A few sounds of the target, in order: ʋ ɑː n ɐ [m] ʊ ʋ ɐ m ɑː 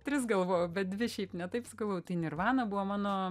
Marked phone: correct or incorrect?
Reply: incorrect